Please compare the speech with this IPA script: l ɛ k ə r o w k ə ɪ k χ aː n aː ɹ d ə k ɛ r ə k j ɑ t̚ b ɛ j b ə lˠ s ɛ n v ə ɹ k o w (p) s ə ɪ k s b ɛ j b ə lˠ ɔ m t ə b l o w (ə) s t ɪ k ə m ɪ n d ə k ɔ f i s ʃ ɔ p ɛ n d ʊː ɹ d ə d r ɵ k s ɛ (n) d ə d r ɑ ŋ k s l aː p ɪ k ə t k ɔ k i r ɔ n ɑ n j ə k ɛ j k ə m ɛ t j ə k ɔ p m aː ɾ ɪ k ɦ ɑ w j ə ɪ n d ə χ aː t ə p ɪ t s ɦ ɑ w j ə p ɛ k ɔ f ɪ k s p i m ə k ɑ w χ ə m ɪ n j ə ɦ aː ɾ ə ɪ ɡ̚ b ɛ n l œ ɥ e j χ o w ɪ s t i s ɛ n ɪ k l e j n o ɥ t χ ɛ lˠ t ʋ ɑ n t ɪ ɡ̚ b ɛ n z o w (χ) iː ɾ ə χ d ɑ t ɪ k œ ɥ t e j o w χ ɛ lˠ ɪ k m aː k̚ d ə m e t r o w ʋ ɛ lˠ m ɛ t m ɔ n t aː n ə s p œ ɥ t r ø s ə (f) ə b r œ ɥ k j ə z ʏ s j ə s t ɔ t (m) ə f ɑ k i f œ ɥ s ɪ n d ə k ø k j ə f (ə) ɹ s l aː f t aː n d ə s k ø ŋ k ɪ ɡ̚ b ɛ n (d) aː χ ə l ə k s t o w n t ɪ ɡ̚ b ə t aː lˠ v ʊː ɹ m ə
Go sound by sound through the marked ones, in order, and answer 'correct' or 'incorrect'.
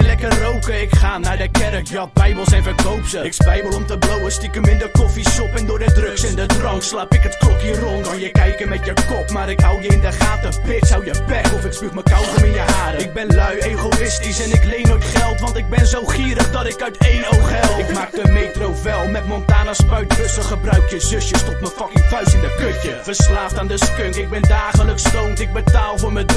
correct, correct, correct, correct, incorrect, correct, correct, correct

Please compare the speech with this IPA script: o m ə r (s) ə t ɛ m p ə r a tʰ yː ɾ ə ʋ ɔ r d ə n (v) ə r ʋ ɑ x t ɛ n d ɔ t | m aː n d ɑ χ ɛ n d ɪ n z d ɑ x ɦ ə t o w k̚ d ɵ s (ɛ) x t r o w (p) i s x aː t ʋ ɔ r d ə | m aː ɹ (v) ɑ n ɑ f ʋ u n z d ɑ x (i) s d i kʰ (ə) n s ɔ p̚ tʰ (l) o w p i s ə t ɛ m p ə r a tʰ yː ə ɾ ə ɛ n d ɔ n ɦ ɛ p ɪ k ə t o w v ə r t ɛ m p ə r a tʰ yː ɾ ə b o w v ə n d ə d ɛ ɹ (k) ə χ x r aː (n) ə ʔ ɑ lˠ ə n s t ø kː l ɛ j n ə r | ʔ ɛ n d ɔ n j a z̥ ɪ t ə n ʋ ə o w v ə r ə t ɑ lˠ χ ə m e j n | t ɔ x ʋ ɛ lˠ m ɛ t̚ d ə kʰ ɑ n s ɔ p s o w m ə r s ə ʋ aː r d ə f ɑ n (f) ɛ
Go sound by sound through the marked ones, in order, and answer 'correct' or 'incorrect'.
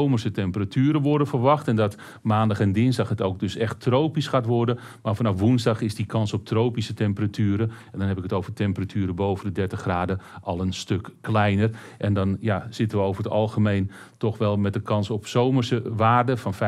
correct, incorrect, correct, correct, incorrect, incorrect, incorrect, incorrect, incorrect, incorrect, correct

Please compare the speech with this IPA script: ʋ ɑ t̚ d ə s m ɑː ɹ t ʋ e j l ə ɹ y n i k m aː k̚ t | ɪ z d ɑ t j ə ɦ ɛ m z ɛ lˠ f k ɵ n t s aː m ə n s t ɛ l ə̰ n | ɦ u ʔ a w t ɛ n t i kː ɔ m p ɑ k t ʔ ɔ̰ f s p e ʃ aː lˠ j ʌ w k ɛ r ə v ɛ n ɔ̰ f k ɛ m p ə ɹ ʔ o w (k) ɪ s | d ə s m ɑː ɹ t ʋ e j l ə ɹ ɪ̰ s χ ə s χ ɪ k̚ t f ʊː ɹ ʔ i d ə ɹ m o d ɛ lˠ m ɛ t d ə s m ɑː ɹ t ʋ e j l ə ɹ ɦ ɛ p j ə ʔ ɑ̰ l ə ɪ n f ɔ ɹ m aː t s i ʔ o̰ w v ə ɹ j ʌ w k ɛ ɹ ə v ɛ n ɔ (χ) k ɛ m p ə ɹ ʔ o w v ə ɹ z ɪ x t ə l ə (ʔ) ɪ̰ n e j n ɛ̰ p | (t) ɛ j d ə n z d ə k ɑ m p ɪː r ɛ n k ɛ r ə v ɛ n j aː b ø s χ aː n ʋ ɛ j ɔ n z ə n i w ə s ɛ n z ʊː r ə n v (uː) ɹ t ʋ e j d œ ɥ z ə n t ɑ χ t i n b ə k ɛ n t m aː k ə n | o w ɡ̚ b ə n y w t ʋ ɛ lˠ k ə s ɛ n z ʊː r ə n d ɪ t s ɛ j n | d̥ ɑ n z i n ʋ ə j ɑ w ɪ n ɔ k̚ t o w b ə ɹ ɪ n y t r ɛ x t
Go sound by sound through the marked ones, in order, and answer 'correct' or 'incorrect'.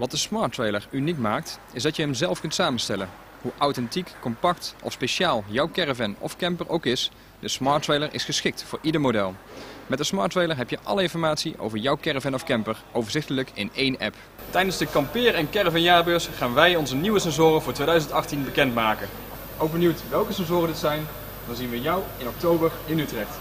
correct, incorrect, incorrect, correct, incorrect

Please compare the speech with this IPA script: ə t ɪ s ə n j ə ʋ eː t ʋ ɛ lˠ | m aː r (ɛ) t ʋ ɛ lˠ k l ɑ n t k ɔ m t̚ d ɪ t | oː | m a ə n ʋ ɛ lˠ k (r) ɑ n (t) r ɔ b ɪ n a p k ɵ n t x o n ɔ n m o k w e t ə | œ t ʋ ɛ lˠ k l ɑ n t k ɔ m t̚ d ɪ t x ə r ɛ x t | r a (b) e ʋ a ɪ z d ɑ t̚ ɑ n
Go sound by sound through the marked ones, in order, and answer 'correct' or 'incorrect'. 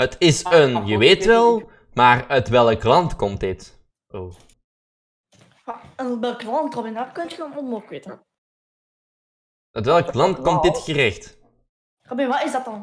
incorrect, incorrect, correct, correct

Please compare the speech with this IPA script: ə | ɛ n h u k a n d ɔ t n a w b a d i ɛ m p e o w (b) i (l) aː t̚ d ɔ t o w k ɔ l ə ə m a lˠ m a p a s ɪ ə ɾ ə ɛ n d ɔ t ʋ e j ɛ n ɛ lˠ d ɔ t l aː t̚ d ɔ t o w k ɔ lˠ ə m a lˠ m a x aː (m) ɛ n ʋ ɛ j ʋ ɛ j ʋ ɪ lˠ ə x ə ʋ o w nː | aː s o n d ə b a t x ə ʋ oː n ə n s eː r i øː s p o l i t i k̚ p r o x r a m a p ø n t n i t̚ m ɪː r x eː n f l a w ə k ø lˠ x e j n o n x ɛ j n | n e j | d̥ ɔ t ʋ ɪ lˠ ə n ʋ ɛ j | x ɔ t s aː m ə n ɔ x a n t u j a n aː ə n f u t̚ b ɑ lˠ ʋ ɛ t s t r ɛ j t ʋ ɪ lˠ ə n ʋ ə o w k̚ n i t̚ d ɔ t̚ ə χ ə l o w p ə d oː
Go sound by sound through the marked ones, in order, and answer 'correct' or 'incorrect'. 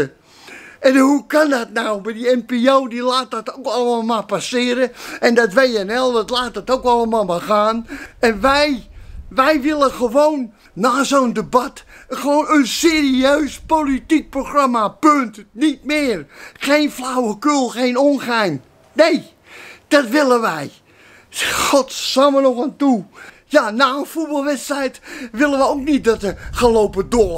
incorrect, correct, incorrect

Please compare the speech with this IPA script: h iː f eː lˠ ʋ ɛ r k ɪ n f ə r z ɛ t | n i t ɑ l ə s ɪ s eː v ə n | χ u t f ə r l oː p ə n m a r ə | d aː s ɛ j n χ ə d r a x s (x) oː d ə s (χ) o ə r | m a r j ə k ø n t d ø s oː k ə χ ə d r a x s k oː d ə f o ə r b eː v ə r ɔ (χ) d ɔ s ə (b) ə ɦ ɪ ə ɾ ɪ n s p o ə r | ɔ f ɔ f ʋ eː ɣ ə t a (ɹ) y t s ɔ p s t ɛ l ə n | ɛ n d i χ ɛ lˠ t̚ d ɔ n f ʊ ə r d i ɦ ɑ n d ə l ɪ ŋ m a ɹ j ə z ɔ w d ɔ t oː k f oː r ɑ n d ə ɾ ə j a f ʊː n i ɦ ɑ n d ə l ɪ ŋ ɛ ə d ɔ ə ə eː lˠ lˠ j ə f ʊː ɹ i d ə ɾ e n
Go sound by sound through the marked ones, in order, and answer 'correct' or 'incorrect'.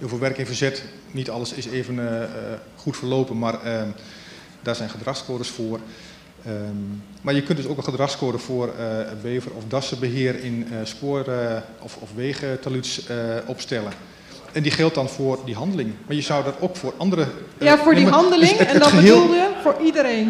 incorrect, incorrect, incorrect, correct, incorrect

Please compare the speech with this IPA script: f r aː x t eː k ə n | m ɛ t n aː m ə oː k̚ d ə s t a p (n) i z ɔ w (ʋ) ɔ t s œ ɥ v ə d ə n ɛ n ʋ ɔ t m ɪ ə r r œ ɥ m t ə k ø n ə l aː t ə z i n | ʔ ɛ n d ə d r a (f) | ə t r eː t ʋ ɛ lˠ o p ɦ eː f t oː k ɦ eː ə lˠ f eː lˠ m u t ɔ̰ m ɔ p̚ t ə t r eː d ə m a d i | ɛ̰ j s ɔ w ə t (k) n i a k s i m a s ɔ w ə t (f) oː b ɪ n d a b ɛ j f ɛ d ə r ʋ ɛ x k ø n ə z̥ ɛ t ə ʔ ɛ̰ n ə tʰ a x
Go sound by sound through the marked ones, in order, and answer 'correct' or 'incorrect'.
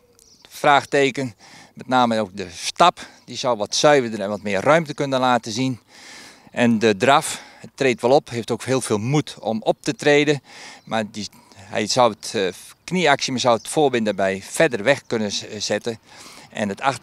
incorrect, correct, correct, correct, correct

